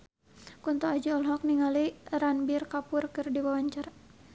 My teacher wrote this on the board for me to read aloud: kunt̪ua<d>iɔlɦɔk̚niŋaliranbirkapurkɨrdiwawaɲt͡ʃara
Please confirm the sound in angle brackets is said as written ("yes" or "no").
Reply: no